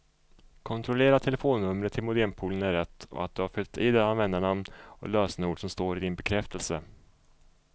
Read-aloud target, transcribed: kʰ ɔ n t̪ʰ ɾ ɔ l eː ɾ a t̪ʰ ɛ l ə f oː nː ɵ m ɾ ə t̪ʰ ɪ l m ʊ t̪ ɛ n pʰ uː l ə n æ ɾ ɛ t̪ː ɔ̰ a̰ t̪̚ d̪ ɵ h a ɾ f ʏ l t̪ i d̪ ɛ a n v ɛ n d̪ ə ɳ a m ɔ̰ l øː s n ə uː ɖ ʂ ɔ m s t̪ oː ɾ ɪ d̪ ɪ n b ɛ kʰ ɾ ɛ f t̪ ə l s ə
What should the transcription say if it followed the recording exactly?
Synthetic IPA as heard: kʰ ɔ n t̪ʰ ɾ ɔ l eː ɾ a t̪ʰ ɛ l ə f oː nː ɵ m ɾ ə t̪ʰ ɪ l m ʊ d̪ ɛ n pʰ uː l ə n æ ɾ ɛ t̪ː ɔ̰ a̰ t̪̚ d̪ ɵ h a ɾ f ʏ l t̪ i d̪ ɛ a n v ɛ n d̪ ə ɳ a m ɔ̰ l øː s n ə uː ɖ ʂ ɔ m s t̪ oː ɾ ɪ d̪ ɪ n b ɛ kʰ ɾ ɛ f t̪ ə l s ə

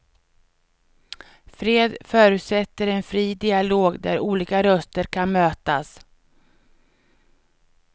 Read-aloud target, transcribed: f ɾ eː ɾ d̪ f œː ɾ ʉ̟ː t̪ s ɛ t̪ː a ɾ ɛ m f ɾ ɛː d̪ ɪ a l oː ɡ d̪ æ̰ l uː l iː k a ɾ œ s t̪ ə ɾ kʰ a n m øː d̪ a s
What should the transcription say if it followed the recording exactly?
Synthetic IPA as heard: f ɾ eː d̪ f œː ɾ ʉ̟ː t̪ s ɛ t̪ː ə ɾ ɛ n f ɾ iː d̪ ɪ a l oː ɡ d̪ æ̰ ɾ uː l iː k a ɾ œ s t̪ ə ɾ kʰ a n m øː t̪ a s

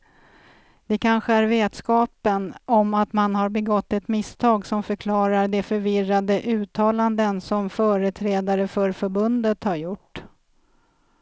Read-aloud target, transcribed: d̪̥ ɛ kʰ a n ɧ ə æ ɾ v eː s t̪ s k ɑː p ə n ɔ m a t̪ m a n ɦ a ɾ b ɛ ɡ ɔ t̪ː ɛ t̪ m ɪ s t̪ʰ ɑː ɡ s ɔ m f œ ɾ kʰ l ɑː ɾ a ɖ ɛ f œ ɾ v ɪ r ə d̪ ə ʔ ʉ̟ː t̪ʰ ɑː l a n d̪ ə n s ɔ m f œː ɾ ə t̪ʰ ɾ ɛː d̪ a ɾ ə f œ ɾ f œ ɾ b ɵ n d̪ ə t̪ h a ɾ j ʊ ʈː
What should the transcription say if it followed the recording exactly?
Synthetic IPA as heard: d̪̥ ɛ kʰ a n ɧ ə æ ɾ v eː t̪ s k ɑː p ə n ɔ m a t̪ m a n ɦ a ɾ b ɛ ɡ ɔ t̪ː ɛ t̪ m ɪ s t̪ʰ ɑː ɡ s ɔ m f œ ɾ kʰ l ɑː ɾ a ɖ ɛ f œ ɾ v ɪ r a d̪ ə ʔ ʉ̟ː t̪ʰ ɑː l a n d̪ ə n s ɔ m f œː ɾ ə t̪ʰ ɾ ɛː d̪ a ɾ ə f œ ɾ f œ ɾ b ɵ n d̪ ə t̪ h a ɾ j ʊ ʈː

